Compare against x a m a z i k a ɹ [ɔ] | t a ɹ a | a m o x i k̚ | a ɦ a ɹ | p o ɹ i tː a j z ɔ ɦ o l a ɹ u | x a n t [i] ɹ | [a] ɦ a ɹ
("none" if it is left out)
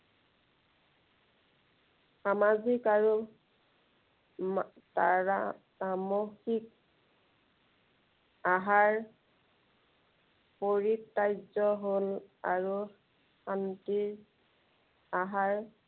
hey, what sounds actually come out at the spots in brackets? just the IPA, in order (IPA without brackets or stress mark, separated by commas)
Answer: u, i, a